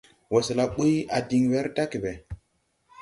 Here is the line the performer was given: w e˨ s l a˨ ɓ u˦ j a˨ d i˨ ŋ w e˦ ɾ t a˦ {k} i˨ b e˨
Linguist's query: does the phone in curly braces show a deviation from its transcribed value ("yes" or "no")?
no